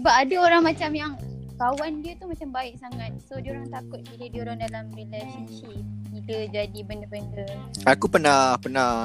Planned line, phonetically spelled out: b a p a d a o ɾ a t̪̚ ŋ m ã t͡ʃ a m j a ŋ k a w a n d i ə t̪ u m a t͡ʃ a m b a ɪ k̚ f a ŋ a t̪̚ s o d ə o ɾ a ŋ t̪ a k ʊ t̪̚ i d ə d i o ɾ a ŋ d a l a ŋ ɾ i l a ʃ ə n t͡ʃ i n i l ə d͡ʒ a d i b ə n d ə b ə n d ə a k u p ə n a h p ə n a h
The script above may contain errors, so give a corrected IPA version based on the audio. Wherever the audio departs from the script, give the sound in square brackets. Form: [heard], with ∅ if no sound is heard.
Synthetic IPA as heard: b a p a d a o ɾ a [∅] ŋ m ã t͡ʃ a m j a ŋ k a w a n d i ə t̪ u m a t͡ʃ a m b a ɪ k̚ [s] a ŋ a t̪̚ s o d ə o ɾ a ŋ t̪ a k ʊ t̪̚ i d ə d i o ɾ a ŋ d a l a [m] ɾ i l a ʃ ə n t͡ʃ i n i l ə d͡ʒ a d i b ə n d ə b ə n d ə a k u p ə n a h p ə n a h